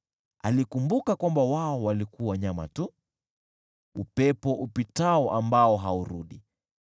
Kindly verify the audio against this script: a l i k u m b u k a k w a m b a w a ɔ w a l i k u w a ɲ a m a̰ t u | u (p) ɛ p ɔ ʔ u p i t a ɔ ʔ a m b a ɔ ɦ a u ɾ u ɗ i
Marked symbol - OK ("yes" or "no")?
yes